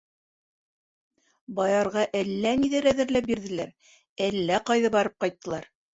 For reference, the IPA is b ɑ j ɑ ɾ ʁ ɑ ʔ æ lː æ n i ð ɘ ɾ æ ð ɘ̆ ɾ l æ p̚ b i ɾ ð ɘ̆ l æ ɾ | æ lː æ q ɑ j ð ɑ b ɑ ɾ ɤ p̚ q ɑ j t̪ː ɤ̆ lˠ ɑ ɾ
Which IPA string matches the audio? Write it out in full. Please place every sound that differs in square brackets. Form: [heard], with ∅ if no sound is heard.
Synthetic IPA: b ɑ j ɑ ɾ ʁ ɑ ʔ æ lː æ n i ð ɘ ɾ æ ð ɘ̆ ɾ l æ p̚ b i ɾ ð ɘ̆ l æ ɾ | æ lː æ q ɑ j ð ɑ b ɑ ɾ ɤ p̚ q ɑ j t̪ː ɤ̆ lˠ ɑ ɾ